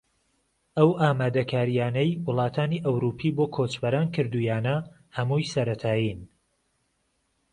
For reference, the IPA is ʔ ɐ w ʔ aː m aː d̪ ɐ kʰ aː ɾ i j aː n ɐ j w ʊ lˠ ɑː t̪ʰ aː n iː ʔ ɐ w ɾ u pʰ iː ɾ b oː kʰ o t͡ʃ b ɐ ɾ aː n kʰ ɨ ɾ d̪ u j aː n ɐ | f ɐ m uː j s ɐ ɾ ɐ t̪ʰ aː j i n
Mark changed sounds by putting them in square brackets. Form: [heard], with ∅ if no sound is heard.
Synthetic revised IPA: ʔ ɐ w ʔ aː m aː d̪ ɐ kʰ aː ɾ i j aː n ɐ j w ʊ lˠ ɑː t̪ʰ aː n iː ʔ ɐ w ɾ u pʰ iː [∅] b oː kʰ o t͡ʃ b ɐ ɾ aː n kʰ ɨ ɾ d̪ u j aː n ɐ | [h] ɐ m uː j s ɐ ɾ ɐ t̪ʰ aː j i n